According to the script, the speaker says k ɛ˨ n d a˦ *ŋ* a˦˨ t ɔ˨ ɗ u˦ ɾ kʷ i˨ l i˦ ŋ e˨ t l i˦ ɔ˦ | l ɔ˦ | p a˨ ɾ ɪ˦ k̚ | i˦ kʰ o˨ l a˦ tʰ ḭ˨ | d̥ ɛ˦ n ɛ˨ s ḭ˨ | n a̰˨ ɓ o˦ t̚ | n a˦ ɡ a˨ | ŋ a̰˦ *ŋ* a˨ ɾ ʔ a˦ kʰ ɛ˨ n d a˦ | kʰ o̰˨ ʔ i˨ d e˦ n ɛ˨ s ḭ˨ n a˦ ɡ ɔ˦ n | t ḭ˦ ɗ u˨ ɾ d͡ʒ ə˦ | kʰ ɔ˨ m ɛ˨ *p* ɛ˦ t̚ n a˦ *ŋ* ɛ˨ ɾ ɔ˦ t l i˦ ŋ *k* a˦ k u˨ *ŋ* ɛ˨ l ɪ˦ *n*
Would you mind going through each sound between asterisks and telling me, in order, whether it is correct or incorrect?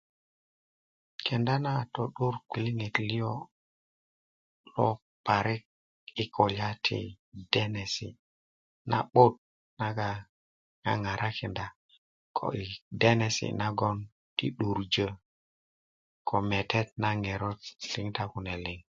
incorrect, correct, incorrect, correct, incorrect, incorrect, incorrect

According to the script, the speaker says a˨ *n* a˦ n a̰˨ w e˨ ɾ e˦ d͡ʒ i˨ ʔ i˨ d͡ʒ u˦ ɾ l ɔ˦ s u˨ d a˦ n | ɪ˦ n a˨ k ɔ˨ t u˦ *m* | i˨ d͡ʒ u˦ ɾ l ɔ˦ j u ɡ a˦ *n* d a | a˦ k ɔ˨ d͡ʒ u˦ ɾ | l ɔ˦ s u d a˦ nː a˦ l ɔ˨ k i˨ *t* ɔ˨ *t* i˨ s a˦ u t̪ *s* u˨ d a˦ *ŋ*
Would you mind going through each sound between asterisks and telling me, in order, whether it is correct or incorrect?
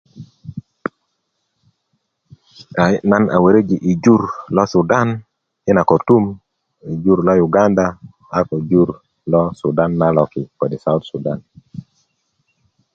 correct, correct, correct, incorrect, incorrect, correct, incorrect

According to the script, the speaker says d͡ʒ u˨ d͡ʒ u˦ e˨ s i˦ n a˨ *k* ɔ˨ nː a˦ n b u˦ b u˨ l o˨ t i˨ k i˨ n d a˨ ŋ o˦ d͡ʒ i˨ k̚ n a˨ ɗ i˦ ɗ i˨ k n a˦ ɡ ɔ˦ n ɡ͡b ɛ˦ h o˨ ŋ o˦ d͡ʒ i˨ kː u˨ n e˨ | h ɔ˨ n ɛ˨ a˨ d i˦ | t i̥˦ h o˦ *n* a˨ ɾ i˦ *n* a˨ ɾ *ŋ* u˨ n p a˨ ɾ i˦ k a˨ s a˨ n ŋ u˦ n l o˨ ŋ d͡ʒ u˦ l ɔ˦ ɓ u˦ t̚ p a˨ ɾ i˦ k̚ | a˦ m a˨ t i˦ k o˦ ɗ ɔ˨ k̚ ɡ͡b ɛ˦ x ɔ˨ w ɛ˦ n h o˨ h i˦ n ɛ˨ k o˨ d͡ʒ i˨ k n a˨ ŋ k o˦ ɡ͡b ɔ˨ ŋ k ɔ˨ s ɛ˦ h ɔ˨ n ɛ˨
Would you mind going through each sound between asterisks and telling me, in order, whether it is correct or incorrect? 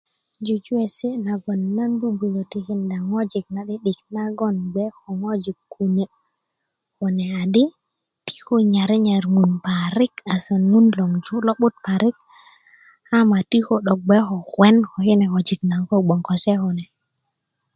incorrect, incorrect, incorrect, correct

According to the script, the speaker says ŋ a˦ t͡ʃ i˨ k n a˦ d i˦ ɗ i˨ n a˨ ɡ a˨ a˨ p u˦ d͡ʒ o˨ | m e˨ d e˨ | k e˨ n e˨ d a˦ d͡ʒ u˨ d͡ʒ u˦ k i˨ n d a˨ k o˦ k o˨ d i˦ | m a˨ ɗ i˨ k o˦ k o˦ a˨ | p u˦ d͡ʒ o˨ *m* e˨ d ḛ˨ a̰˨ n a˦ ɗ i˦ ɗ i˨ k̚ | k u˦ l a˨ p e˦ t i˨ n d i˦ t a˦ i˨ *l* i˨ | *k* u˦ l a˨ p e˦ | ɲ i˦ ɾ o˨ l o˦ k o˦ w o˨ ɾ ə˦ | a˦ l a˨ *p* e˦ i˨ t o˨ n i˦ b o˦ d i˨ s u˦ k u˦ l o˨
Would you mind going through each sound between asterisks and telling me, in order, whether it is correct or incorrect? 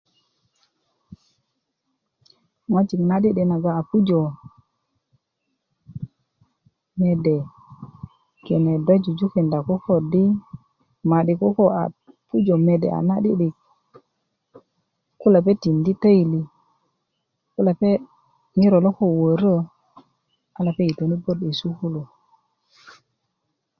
correct, correct, correct, correct

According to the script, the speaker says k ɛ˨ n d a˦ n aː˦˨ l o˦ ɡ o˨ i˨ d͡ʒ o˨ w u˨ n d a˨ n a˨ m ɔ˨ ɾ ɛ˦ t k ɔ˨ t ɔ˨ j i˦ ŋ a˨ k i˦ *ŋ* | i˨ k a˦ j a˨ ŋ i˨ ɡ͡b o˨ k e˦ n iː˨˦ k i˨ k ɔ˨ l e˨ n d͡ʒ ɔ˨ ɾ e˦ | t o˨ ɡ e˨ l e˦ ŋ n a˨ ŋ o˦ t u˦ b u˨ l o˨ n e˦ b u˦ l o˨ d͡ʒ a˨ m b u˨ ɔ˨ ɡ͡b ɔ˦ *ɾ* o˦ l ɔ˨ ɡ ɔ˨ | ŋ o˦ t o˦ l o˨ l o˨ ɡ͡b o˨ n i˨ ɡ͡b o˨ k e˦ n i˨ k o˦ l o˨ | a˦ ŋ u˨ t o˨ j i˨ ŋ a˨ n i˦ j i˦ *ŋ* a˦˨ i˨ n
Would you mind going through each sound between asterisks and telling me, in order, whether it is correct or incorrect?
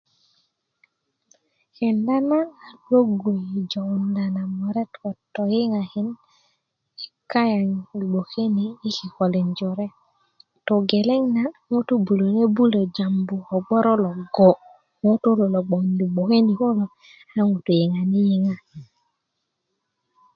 incorrect, correct, correct

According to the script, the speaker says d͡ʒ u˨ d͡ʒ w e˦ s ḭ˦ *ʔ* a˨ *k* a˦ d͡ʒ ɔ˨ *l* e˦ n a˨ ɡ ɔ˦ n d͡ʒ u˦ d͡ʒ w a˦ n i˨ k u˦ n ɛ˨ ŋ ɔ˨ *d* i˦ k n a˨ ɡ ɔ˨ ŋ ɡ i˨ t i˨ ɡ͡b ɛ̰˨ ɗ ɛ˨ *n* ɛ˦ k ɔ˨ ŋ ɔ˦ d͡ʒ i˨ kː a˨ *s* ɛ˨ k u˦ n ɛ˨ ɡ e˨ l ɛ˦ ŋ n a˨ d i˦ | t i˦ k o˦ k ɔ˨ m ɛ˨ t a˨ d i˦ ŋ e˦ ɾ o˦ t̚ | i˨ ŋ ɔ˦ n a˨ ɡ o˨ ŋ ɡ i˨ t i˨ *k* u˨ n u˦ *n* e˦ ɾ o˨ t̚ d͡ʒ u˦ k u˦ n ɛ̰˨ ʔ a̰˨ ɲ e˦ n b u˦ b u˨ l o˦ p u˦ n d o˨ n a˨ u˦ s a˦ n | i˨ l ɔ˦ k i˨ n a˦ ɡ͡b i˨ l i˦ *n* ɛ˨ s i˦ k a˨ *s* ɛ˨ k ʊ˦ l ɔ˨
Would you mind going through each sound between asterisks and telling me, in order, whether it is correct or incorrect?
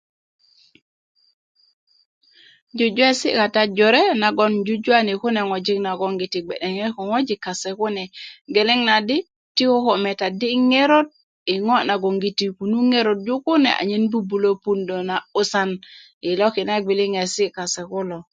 incorrect, incorrect, incorrect, incorrect, incorrect, correct, correct, incorrect, incorrect, correct

